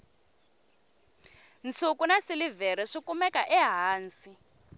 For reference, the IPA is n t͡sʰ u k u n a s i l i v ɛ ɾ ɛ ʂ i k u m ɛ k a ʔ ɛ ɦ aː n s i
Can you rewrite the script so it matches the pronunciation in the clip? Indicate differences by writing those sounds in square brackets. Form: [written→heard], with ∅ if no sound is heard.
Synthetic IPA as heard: n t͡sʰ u k u n a s i l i v ɛ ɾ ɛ ʂ i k u m ɛ k a ʔ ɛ ɦ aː n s i